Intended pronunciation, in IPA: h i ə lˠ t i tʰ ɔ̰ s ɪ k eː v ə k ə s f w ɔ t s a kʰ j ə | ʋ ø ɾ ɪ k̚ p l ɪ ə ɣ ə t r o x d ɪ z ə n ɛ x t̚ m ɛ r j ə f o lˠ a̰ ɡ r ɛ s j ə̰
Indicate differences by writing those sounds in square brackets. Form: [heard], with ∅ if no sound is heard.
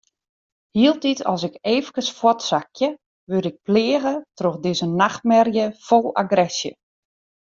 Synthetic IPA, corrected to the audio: h i ə lˠ t i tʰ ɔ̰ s ɪ k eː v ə k ə s f w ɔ t s a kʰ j ə | ʋ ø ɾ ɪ k̚ p l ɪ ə ɣ ə t r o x d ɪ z ə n [a] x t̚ m ɛ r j ə f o lˠ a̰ ɡ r ɛ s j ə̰